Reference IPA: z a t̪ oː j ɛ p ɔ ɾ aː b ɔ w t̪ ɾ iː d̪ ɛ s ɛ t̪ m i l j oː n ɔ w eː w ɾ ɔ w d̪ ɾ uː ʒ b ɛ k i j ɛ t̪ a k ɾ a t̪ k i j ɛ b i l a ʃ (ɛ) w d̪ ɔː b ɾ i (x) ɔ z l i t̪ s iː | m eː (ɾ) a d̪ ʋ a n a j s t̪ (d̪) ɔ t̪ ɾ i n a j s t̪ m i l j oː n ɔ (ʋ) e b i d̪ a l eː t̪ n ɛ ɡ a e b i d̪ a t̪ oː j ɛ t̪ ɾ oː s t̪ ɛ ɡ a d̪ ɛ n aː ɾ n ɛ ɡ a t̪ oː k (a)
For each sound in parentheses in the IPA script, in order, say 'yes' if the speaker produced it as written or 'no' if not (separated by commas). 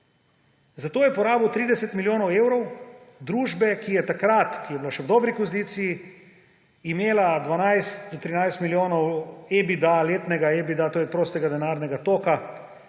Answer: yes, no, no, yes, no, yes